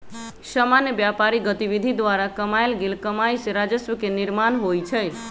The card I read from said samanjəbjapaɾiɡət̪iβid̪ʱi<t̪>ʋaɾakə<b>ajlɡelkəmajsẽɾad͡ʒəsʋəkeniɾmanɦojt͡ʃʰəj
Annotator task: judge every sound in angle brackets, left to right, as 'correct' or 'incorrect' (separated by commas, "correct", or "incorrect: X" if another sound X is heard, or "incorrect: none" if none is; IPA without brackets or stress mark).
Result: incorrect: d̪, incorrect: m